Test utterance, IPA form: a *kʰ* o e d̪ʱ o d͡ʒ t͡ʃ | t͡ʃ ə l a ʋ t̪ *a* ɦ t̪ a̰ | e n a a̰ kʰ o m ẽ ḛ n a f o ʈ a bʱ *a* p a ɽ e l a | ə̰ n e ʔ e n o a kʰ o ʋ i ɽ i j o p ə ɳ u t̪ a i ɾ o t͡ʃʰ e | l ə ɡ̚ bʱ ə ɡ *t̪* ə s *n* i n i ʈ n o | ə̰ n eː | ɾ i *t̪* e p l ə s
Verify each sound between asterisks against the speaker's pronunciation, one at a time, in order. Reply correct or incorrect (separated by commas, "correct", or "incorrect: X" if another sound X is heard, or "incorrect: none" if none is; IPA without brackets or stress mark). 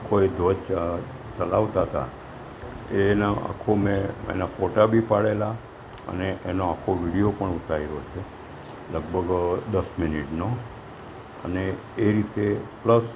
correct, correct, incorrect: i, incorrect: d̪, incorrect: m, correct